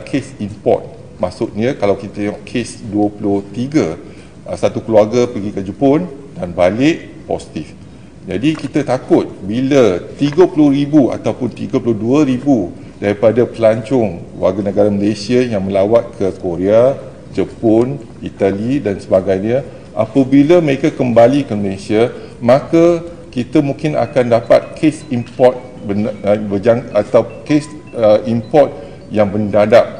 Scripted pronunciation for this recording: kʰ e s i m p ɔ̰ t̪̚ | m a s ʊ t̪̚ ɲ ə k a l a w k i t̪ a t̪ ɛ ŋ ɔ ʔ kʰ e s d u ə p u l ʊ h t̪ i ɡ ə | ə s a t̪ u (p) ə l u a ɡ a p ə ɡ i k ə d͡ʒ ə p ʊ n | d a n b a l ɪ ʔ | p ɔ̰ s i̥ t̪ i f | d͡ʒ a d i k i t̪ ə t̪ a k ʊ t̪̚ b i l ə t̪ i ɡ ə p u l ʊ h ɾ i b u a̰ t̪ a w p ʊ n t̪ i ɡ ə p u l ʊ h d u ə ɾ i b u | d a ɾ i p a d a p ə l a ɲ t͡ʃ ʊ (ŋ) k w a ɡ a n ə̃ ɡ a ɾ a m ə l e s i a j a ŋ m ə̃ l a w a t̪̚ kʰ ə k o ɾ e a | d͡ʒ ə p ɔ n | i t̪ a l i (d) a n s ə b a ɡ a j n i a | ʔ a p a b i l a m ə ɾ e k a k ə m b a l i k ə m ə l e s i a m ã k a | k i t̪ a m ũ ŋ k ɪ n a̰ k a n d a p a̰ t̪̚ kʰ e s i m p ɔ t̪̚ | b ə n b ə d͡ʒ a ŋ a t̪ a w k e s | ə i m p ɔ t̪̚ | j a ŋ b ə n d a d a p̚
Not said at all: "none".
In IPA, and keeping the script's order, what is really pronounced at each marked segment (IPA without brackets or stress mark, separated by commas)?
k, ŋ, d